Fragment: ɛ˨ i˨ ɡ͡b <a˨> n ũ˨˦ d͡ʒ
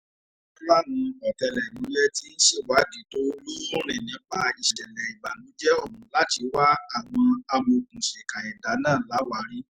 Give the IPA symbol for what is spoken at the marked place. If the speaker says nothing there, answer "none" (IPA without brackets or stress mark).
a˨